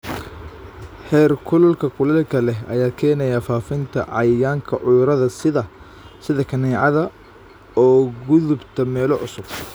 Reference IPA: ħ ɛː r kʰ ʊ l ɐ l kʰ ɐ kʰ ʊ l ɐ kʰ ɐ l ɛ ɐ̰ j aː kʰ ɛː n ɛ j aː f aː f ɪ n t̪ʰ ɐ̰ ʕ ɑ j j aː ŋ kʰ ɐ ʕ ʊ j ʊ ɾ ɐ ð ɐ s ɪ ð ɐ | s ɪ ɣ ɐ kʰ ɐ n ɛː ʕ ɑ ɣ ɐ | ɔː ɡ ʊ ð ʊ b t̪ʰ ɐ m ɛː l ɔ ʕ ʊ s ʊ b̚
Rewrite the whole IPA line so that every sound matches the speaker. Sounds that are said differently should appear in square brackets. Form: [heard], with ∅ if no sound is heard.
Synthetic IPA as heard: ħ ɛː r kʰ ʊ l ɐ l kʰ ɐ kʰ ʊ l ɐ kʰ ɐ l ɛ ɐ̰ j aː kʰ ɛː n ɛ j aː f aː f ɪ n t̪ʰ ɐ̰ ʕ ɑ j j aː ŋ kʰ ɐ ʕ ʊ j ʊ ɾ ɐ ð ɐ s ɪ ð ɐ | s ɪ [ð] ɐ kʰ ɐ n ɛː ʕ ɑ [ð] ɐ | ɔː ɡ ʊ ð ʊ b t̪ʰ ɐ m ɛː l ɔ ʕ ʊ s ʊ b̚

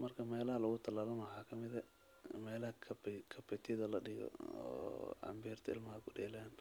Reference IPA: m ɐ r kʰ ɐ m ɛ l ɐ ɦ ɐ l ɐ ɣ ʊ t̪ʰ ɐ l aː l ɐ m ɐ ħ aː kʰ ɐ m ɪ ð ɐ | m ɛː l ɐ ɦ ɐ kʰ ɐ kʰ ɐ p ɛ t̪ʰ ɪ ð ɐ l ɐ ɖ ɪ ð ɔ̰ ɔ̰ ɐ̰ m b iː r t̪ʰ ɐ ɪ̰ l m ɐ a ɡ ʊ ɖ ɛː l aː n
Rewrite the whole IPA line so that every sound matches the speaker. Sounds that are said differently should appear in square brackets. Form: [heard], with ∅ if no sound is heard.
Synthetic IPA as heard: m ɐ r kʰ ɐ m [ɛː] l ɐ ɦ ɐ l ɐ ɣ ʊ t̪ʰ ɐ l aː l ɐ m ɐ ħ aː kʰ ɐ m ɪ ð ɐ | m ɛː l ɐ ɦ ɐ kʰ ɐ kʰ ɐ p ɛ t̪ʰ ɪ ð ɐ l ɐ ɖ ɪ [ɣ] ɔ̰ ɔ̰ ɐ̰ m b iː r t̪ʰ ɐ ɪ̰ l m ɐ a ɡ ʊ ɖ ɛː l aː n

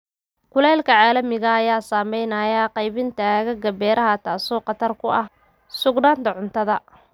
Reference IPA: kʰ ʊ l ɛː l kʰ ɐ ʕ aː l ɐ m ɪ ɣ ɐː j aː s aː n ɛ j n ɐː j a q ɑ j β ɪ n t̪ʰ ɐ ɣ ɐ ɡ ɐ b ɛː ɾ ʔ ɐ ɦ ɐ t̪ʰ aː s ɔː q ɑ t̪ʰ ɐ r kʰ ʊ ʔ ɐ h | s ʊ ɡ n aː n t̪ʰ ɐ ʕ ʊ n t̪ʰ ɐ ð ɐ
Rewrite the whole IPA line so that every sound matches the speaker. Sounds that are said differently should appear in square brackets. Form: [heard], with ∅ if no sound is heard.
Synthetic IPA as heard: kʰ ʊ l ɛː l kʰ ɐ ʕ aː l ɐ m ɪ ɣ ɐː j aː s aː [m] ɛ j n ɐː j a q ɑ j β ɪ n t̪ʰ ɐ ɣ ɐ ɡ ɐ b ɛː ɾ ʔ ɐ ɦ ɐ t̪ʰ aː s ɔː q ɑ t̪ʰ ɐ r kʰ ʊ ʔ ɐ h | s ʊ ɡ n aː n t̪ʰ ɐ ʕ ʊ n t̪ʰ ɐ ð ɐ

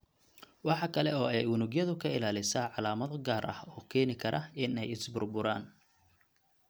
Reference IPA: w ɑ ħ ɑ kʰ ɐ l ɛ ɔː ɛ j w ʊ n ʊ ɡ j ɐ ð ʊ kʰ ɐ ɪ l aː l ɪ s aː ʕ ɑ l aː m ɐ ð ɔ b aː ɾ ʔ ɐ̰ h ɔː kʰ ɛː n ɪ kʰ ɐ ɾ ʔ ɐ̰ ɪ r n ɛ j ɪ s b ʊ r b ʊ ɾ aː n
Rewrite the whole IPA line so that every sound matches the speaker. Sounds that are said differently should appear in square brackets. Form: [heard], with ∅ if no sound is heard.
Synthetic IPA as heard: w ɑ ħ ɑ kʰ ɐ l ɛ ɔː ɛ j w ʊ n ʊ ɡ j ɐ ð ʊ kʰ ɐ ɪ l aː l ɪ s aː ʕ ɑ l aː m ɐ ð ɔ [ɡ] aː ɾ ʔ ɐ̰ h ɔː kʰ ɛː n ɪ kʰ ɐ ɾ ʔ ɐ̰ ɪ [∅] n ɛ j ɪ s b ʊ r b ʊ ɾ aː n

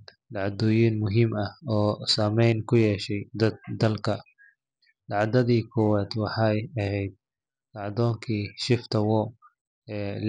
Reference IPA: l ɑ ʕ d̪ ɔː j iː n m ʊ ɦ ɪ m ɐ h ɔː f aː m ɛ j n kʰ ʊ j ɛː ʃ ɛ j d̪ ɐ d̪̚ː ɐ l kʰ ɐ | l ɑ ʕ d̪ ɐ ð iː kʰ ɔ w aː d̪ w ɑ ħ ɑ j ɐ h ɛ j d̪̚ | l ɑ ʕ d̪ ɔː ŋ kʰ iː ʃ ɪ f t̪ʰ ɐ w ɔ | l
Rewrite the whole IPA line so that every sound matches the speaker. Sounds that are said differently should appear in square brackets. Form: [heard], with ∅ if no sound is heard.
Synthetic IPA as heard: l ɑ ʕ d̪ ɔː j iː n m ʊ ɦ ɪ m ɐ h ɔː [s] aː m ɛ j n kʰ ʊ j ɛː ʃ ɛ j d̪ ɐ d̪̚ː ɐ l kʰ ɐ | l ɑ ʕ d̪ ɐ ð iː kʰ ɔ w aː d̪ w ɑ ħ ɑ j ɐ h ɛ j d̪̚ | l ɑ ʕ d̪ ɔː ŋ kʰ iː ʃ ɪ f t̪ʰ ɐ w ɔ | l

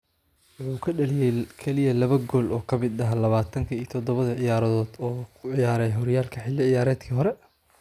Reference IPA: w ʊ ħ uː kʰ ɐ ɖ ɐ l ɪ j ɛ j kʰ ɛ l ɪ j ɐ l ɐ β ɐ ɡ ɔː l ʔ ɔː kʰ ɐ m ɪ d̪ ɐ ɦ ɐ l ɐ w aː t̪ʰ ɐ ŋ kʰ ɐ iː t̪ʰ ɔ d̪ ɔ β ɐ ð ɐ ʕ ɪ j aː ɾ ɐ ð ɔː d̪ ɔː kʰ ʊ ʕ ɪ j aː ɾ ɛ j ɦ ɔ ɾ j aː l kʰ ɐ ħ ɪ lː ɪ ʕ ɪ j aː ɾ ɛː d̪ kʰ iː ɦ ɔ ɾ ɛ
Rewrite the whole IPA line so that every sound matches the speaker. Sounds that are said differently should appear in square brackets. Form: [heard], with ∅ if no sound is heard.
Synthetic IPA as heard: w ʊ ħ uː kʰ ɐ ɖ ɐ l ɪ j ɛ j kʰ ɛ l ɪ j ɐ l ɐ β ɐ ɡ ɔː l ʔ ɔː kʰ ɐ m ɪ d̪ ɐ ɦ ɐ l ɐ [β] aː t̪ʰ ɐ ŋ kʰ ɐ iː t̪ʰ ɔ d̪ ɔ β ɐ ð ɐ ʕ ɪ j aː ɾ ɐ ð ɔː d̪ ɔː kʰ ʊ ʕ ɪ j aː ɾ ɛ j ɦ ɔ ɾ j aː l kʰ ɐ ħ ɪ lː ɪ ʕ ɪ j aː ɾ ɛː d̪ kʰ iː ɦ ɔ ɾ ɛ

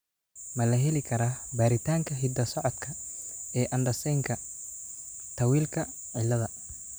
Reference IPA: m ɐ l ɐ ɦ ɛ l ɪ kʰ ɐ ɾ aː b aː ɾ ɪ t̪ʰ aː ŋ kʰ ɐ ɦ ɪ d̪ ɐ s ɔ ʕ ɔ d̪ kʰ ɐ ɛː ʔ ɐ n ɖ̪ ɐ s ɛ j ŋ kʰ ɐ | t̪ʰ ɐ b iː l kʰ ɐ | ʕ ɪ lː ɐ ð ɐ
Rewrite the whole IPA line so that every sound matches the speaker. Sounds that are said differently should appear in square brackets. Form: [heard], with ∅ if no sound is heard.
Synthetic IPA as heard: m ɐ l ɐ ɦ ɛ l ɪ kʰ ɐ ɾ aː b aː ɾ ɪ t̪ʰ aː ŋ kʰ ɐ ɦ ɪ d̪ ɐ s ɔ ʕ ɔ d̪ kʰ ɐ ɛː ʔ ɐ n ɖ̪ ɐ s ɛ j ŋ kʰ ɐ | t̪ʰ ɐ [w] iː l kʰ ɐ | ʕ ɪ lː ɐ ð ɐ

